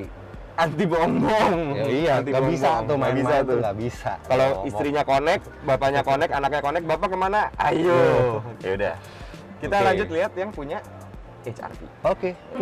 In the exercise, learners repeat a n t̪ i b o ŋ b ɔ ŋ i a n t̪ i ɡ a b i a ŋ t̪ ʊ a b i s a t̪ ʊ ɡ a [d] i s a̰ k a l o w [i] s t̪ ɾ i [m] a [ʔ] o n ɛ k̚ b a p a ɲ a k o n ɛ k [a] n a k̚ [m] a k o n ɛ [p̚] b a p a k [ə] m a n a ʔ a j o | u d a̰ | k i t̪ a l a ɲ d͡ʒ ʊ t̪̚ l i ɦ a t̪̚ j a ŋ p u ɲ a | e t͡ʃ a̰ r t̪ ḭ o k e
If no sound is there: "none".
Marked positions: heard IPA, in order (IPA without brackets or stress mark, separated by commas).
b, i, ɲ, k, a, ɲ, k̚, ə